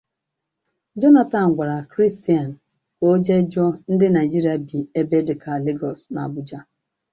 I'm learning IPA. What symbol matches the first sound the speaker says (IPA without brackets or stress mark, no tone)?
d͡ʒ